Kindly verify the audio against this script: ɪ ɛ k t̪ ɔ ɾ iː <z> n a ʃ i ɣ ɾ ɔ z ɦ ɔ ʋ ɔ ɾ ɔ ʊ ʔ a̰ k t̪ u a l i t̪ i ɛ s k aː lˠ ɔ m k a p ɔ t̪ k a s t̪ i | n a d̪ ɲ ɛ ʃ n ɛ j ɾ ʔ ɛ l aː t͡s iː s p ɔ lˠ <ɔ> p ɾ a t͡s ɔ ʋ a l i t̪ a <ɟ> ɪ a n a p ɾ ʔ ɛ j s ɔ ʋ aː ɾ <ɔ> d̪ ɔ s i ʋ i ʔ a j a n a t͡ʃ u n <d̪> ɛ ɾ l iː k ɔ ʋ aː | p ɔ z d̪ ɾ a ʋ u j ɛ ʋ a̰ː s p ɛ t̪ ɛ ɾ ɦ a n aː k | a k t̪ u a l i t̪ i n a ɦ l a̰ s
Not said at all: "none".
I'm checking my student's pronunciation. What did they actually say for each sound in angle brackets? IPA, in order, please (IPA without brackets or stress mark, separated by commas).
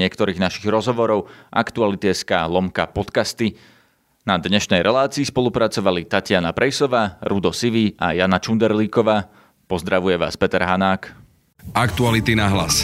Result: ɣ, u, c, u, d̪